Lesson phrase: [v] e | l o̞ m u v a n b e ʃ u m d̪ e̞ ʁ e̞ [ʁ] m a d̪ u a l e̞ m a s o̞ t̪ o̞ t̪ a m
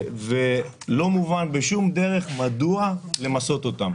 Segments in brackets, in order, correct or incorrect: correct, incorrect: χ

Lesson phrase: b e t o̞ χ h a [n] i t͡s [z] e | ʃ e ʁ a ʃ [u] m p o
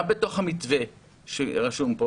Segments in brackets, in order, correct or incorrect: incorrect: m, incorrect: v, correct

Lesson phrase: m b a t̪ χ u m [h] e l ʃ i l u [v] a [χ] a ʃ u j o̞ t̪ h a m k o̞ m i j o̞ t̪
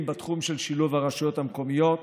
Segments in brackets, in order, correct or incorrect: incorrect: ʃ, correct, incorrect: ʁ

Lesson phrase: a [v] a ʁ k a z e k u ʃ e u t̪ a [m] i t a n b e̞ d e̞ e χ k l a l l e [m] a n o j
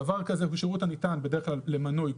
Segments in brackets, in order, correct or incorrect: correct, incorrect: n, correct

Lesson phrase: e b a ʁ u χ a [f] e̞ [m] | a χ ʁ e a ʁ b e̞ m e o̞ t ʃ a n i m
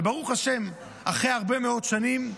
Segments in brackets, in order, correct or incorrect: incorrect: ʃ, correct

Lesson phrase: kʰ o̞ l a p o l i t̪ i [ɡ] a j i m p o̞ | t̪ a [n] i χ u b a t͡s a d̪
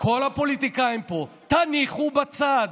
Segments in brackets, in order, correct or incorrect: incorrect: k, correct

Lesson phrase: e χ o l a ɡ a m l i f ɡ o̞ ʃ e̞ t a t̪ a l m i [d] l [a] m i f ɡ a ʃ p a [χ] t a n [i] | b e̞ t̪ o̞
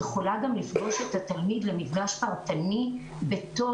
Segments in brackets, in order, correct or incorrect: correct, incorrect: e, incorrect: ʁ, correct

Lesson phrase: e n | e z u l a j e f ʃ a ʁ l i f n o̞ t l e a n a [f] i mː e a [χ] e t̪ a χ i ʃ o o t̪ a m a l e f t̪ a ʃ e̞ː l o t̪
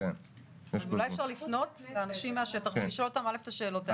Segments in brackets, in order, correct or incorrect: incorrect: ʃ, incorrect: ʃ

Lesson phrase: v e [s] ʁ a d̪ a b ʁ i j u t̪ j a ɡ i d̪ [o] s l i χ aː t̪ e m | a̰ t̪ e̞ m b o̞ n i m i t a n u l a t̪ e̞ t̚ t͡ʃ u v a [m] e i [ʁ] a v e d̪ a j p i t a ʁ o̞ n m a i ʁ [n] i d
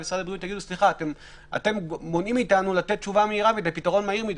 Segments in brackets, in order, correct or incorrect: correct, incorrect: u, correct, correct, incorrect: m

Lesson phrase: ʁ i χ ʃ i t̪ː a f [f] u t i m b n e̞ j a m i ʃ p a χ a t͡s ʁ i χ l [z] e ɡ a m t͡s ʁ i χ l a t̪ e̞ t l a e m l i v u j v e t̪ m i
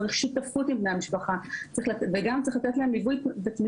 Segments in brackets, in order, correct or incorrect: correct, incorrect: v

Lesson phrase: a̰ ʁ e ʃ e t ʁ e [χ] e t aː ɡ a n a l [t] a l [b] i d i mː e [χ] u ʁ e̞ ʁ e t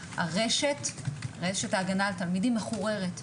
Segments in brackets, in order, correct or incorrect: incorrect: ʃ, correct, incorrect: m, correct

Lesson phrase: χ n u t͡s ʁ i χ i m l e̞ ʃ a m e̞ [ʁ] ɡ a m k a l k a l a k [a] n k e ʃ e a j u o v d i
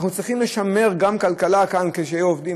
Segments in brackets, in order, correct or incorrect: correct, correct

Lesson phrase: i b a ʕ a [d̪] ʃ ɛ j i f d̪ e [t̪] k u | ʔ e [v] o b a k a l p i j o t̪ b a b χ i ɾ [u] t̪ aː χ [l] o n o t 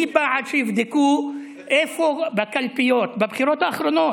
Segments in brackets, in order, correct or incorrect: correct, incorrect: none, incorrect: f, incorrect: o, incorrect: ɾ

